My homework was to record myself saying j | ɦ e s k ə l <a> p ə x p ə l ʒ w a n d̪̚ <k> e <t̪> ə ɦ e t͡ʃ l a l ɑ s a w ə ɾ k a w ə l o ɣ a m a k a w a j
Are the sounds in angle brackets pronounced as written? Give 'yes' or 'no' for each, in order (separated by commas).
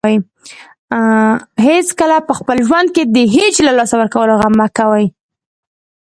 yes, yes, no